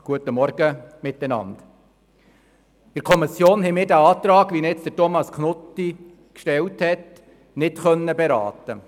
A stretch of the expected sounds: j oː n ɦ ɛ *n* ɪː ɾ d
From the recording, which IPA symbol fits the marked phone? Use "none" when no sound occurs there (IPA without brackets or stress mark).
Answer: m